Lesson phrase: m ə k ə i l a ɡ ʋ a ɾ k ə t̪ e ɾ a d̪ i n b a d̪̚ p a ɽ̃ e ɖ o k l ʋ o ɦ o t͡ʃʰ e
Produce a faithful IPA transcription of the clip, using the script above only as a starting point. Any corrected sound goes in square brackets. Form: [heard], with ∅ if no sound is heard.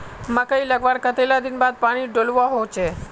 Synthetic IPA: m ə k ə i l [ə] ɡ ʋ a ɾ k ə t̪ e [l] a d̪ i n b a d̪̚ p a ɽ̃ [i] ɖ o [∅] l ʋ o ɦ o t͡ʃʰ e